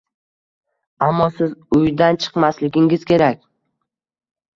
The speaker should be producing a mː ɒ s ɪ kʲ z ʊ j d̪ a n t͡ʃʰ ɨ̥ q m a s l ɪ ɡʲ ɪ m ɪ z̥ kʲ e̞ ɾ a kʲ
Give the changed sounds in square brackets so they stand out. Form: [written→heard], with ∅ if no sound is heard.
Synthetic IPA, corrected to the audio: a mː ɒ s ɪ [kʲ→∅] z ʊ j d̪ a n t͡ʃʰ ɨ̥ q m a s l ɪ ɡʲ ɪ [m→ŋ] ɪ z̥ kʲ e̞ ɾ a kʲ